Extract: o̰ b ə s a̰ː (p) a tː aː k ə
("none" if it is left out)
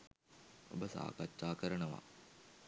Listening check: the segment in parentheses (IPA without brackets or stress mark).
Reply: k